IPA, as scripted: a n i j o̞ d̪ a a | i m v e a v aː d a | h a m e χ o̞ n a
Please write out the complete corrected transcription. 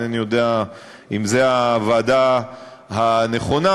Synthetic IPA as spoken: a n i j o̞ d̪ e a | i m z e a v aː d a | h a n e χ o̞ n a